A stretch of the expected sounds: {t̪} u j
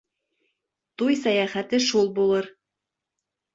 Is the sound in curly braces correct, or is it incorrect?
correct